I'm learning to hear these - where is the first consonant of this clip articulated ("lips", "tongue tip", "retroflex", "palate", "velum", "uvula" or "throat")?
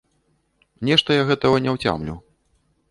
tongue tip